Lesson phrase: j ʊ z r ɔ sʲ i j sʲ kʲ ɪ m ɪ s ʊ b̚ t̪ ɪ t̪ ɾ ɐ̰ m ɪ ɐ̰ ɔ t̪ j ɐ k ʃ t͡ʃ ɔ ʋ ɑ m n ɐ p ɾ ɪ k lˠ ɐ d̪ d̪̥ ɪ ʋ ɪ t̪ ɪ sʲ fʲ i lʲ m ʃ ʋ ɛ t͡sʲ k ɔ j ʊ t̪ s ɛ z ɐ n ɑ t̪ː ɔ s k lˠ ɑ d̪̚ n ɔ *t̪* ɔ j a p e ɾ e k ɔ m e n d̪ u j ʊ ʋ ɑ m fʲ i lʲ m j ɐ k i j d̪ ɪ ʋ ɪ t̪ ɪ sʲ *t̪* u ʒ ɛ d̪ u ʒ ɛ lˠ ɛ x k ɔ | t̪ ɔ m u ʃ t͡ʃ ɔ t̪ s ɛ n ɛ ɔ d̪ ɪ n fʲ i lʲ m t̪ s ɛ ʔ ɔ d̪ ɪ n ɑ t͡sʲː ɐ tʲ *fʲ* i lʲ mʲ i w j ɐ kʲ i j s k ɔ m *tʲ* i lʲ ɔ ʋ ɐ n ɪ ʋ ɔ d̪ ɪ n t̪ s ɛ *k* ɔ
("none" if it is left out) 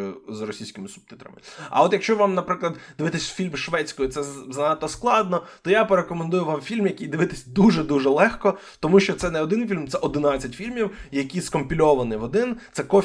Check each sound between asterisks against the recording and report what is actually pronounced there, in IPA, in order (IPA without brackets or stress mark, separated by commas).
t̪, d̪, fʲ, pʲ, k